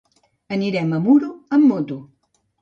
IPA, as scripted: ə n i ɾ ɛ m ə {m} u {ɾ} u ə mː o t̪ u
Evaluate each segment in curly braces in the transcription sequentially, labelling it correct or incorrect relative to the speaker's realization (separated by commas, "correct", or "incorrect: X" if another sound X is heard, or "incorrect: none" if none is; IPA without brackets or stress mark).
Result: correct, correct